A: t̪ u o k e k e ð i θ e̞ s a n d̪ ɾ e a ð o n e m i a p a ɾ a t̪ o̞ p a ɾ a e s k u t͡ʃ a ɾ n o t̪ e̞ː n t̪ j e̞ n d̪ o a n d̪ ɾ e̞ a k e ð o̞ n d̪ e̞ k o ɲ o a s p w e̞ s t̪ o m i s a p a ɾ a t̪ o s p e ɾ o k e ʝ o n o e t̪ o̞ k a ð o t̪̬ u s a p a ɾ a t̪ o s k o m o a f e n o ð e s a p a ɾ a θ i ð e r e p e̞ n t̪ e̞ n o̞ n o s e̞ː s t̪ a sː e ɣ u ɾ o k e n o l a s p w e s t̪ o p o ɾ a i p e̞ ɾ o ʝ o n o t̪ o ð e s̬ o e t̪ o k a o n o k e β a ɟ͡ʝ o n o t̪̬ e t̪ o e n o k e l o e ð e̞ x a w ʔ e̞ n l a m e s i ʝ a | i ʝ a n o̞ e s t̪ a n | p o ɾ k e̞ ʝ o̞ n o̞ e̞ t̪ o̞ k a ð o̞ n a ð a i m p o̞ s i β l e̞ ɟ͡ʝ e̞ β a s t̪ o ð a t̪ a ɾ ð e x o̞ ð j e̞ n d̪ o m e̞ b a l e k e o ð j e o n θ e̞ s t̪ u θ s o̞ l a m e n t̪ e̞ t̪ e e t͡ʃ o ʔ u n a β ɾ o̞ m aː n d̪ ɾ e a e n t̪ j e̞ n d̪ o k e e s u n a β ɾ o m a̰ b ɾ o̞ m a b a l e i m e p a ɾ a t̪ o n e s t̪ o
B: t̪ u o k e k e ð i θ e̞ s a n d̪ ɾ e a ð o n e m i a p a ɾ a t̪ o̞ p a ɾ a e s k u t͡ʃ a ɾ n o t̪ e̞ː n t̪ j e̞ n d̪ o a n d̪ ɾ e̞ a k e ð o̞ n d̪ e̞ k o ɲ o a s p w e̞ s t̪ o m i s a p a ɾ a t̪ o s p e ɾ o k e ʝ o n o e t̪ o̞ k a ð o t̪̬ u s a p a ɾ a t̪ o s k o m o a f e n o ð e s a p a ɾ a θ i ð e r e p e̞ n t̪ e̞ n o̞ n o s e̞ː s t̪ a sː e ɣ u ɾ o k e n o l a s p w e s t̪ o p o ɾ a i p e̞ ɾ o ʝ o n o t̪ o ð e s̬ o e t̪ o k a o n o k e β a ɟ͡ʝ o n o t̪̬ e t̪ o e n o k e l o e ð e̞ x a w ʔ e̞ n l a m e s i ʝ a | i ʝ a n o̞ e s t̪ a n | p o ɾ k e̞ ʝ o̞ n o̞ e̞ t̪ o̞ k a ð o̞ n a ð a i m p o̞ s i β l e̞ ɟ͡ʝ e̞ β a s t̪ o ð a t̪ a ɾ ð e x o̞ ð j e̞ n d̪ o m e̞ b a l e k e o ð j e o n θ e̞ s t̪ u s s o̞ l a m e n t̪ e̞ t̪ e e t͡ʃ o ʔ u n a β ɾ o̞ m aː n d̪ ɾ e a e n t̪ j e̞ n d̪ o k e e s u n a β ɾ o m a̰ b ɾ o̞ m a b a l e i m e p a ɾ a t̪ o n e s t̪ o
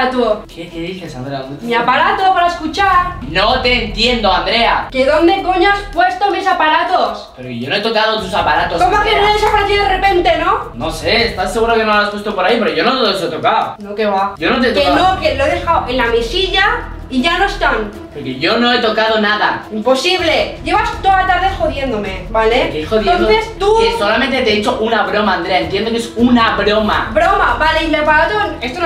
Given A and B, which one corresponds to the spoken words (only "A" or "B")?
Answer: B